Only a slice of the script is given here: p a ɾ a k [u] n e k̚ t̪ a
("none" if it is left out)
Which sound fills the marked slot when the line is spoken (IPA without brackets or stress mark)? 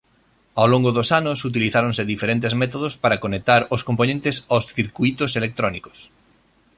o